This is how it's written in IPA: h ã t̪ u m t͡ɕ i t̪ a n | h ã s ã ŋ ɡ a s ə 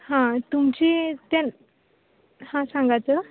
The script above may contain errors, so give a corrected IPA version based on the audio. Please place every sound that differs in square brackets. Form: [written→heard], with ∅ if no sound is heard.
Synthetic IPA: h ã t̪ u m t͡ɕ i t̪ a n | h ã s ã ŋ ɡ a [s→t͡s] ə

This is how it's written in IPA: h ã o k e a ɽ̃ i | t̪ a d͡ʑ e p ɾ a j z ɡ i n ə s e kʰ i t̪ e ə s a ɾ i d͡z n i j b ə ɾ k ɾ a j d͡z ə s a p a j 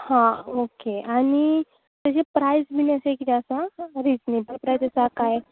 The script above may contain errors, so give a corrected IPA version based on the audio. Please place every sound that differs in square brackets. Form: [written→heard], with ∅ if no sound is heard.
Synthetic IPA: h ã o k e a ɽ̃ i | t̪ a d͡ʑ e p ɾ a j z [ɡ→b] i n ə s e [kʰ→k] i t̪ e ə s a ɾ i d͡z n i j b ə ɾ [k→p] ɾ a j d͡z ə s a [p→k] a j

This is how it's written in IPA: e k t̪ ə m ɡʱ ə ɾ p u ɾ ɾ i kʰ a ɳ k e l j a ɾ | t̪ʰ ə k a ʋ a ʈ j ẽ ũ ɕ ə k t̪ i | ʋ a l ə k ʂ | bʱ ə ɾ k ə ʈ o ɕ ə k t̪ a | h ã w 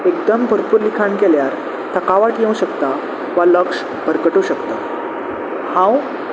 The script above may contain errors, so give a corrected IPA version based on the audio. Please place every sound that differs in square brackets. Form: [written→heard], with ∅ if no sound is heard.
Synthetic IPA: e k [t̪→d̪] ə m [ɡʱ→bʱ] ə ɾ p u ɾ [ɾ→l] i kʰ a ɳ k e l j a ɾ | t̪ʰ ə k a ʋ a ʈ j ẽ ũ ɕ ə k t̪ [i→a] | ʋ a l ə k ʂ | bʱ ə ɾ k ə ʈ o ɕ ə k t̪ a | h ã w

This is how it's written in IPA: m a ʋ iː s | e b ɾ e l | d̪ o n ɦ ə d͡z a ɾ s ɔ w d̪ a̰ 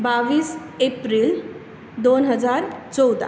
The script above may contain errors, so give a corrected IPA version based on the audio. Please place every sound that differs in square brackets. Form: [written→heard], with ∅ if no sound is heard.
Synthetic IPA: [m→b] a ʋ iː s | e [b→p] ɾ [e→i] l | d̪ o n ɦ ə d͡z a ɾ [s→t͡s] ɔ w d̪ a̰

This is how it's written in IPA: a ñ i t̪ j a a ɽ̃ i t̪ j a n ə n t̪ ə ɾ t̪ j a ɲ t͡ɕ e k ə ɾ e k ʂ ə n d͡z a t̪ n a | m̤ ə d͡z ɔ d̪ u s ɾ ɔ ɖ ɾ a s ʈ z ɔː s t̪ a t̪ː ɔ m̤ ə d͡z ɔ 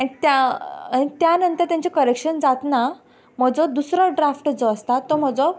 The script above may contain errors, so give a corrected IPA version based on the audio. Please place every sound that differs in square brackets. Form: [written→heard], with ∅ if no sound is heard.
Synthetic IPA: a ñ i t̪ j a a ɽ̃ i t̪ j a n ə n t̪ ə ɾ t̪ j a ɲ t͡ɕ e k ə ɾ e k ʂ ə n d͡z a t̪ n a | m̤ ə d͡z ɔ d̪ u s ɾ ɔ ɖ ɾ a [s→f] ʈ [z→d͡z] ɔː s t̪ a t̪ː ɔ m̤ ə d͡z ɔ

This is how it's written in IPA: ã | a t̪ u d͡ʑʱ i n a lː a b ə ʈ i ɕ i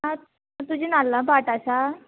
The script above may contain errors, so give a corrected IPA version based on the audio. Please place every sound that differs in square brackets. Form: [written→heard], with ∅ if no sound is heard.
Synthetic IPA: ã | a t̪ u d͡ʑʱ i n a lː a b [ə→a] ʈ [i→a] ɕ [i→a]

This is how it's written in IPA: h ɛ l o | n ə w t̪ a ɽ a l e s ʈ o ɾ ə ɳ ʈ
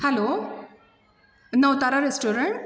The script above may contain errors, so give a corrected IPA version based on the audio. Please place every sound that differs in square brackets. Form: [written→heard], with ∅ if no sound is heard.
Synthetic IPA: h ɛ l o | n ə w t̪ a [ɽ→ɾ] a [l→ɾ] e s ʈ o ɾ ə ɳ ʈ

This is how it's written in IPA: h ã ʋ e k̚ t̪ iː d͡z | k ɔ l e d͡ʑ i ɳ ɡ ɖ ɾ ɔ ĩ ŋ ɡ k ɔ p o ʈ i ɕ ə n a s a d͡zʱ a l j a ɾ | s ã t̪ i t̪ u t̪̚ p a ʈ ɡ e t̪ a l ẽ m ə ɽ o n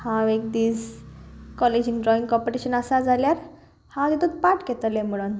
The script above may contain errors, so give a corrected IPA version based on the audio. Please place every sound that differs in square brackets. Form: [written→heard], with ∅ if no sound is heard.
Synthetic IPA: h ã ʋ e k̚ [t̪→d̪] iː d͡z | k ɔ l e d͡ʑ i [ɳ→ŋ] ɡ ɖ ɾ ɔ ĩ ŋ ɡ k ɔ p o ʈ i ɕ ə n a s a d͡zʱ a l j a ɾ | [s→h] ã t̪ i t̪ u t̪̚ p a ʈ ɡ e t̪ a l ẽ m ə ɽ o n

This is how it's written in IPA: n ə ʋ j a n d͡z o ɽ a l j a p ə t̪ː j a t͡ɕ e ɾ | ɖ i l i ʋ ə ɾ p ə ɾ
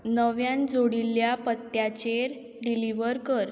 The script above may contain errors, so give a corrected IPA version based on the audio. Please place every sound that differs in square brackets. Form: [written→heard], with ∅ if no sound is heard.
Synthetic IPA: n ə ʋ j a n d͡z o ɽ [a→i] l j a p ə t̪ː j a t͡ɕ e ɾ | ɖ i l i ʋ ə ɾ [p→k] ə ɾ

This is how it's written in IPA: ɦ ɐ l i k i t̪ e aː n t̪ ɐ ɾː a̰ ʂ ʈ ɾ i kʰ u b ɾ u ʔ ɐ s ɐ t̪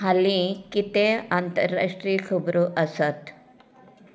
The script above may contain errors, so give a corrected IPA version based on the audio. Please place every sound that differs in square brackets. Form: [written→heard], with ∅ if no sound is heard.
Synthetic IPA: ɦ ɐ l i k i t̪ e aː n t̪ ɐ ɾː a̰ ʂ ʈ ɾ i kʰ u b ɾ u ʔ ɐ s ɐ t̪

